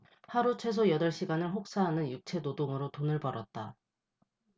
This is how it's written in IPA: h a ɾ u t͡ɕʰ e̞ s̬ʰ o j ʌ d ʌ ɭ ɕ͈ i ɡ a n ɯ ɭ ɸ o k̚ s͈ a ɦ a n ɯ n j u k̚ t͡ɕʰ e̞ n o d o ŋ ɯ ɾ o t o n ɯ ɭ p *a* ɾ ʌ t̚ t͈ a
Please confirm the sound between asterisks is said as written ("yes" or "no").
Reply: no